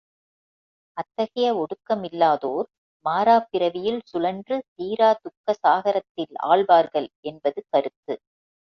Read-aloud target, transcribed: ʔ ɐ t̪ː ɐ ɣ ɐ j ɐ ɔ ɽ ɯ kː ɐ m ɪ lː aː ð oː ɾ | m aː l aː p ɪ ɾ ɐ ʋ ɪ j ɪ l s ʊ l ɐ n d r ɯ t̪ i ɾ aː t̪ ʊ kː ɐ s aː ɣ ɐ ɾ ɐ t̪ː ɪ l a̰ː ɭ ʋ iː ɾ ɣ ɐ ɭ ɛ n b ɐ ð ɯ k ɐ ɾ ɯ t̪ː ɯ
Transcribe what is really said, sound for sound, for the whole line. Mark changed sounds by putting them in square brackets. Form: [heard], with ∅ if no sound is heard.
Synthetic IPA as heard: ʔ ɐ t̪ː ɐ ɣ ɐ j ɐ ɔ ɽ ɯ kː ɐ m ɪ lː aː ð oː ɾ | m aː [ɾ] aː p ɪ ɾ ɐ ʋ ɪ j ɪ l s ʊ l ɐ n d r ɯ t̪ [iː] ɾ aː t̪ ʊ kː ɐ s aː ɣ ɐ ɾ ɐ t̪ː ɪ l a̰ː ɭ ʋ [aː] ɾ ɣ ɐ ɭ ɛ n b ɐ ð ɯ k ɐ ɾ ɯ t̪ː ɯ